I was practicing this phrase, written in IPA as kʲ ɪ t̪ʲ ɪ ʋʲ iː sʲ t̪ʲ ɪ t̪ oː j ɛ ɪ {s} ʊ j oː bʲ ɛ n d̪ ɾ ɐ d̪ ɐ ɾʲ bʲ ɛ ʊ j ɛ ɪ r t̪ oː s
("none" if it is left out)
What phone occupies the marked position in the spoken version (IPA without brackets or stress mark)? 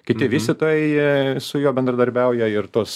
s